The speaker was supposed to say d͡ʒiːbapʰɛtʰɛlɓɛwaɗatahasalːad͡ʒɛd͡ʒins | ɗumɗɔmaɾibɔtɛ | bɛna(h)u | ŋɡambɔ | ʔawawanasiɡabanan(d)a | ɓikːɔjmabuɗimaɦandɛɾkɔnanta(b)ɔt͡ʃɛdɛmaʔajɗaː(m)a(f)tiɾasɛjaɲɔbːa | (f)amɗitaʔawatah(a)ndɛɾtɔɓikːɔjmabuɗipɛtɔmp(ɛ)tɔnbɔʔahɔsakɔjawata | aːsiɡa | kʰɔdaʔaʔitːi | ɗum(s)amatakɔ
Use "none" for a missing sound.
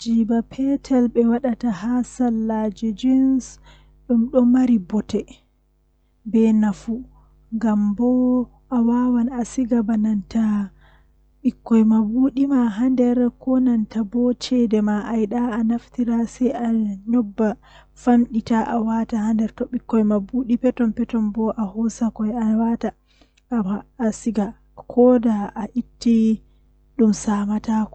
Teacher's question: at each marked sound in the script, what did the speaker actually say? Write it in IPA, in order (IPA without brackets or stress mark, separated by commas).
f, t, b, n, f, f, a, ɛ, s